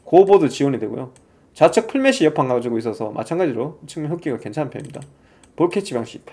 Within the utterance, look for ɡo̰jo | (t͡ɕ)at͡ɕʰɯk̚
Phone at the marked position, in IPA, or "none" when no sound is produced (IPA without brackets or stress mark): t͡ɕ